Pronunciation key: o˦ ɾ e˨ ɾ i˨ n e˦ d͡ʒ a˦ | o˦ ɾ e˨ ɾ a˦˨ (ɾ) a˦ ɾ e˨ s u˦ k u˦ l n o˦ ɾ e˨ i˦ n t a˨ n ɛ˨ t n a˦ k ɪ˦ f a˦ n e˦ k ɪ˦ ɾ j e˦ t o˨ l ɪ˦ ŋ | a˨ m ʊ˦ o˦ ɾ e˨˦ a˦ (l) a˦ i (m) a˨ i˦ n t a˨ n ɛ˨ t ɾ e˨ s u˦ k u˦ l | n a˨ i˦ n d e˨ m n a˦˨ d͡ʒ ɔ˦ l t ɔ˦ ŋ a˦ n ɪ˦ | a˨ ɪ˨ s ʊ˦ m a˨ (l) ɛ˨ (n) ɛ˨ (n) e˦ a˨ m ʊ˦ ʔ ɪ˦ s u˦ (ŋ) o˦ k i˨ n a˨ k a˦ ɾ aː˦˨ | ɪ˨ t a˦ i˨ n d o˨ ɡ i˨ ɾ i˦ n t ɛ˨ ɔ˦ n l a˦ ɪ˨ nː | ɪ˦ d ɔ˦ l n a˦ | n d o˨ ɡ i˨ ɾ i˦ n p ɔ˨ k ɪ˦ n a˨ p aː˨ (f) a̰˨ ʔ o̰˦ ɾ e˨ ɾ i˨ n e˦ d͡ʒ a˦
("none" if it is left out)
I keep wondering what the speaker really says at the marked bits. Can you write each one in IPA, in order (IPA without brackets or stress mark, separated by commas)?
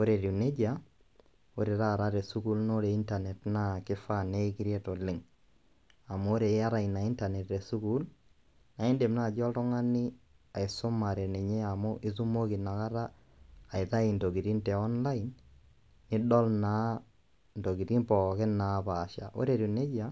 ɾ, ɾ, n, ɾ, n, ɲ, m, ʃ